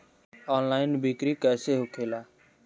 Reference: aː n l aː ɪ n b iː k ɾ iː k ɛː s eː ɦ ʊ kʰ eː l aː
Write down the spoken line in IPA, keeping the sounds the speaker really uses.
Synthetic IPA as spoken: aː n l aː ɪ n b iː k ɾ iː k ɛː s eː ɦ ʊ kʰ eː l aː